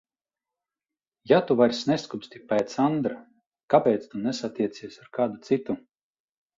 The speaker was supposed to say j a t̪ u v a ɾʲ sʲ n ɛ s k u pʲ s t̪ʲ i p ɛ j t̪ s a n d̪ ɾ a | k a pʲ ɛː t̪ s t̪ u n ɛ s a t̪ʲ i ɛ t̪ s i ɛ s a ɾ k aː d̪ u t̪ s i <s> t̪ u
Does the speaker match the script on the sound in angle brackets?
no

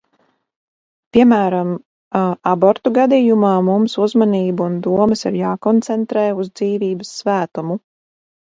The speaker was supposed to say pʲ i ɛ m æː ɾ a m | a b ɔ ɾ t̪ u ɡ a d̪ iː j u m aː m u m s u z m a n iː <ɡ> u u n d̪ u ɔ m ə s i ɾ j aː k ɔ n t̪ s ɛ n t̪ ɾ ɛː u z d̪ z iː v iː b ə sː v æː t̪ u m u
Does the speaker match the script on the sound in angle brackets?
no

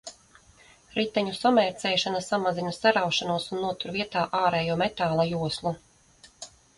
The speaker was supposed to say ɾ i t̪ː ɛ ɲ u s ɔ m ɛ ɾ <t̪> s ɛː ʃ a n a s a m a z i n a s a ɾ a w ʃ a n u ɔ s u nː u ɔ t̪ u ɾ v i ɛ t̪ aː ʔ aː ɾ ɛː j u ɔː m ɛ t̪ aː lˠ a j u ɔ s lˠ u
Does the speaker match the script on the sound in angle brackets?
yes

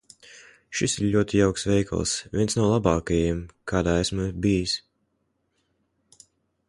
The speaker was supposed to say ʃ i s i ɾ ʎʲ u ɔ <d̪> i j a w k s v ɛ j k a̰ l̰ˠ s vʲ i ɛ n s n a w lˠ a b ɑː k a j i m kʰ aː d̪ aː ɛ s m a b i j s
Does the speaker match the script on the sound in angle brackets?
no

